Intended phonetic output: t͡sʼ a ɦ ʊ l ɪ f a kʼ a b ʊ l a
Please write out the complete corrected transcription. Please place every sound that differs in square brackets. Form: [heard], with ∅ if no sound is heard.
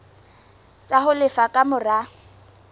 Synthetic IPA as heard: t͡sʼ a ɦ ʊ l ɪ f a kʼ a [m] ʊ [r] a